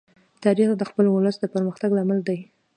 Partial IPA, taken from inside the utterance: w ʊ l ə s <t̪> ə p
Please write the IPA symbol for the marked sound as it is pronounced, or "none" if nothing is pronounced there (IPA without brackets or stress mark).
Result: d̪